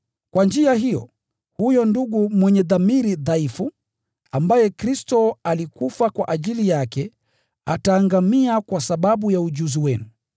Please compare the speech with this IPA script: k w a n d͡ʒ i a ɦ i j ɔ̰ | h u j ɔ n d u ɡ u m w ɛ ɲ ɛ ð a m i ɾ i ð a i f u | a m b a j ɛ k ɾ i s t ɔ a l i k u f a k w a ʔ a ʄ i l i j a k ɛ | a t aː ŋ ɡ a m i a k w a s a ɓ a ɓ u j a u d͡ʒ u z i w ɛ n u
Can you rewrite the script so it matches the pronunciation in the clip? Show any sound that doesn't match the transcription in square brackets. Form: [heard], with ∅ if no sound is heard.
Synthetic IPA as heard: k w a n d͡ʒ i a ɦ i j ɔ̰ | h u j ɔ n d u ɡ u m w ɛ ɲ ɛ ð a m i ɾ i ð a i f u | a m b a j ɛ k ɾ i s t ɔ a l i k u f a k w a ʔ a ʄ i l i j a k ɛ | a t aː ŋ ɡ a m i a k w a s a ɓ a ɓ u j a u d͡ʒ u z i w ɛ n u